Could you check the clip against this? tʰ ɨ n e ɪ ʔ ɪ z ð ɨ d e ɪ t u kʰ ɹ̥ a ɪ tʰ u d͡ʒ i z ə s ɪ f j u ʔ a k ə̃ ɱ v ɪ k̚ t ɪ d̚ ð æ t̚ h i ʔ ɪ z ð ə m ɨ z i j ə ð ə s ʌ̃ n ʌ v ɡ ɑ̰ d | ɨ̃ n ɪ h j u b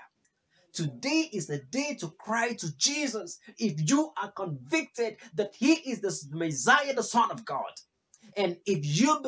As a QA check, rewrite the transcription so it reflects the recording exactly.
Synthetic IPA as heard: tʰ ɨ d e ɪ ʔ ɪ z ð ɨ d e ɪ t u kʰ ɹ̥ a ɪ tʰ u d͡ʒ i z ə s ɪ f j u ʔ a k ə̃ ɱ v ɪ k̚ t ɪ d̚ ð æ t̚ h i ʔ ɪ z ð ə m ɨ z a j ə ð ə s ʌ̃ n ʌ v ɡ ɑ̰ d | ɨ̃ n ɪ f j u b